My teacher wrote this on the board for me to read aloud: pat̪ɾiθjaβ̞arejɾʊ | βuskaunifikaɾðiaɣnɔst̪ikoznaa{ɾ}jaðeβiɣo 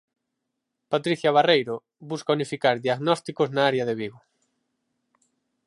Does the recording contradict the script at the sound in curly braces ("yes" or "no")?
no